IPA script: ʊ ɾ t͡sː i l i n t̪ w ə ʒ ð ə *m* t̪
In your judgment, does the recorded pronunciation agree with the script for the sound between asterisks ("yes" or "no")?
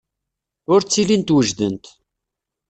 no